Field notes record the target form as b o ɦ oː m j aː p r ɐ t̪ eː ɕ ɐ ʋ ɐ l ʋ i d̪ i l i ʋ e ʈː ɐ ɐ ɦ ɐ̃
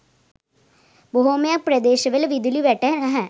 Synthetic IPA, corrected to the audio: b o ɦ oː m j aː p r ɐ d̪ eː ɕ ɐ ʋ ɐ l ʋ i d̪ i l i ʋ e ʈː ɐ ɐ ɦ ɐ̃